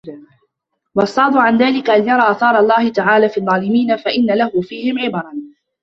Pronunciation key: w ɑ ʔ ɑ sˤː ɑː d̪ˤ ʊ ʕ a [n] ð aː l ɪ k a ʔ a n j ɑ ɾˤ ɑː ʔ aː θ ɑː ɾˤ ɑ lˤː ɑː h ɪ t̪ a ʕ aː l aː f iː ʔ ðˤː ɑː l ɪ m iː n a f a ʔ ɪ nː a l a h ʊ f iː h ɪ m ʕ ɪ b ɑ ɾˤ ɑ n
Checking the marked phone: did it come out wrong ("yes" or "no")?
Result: no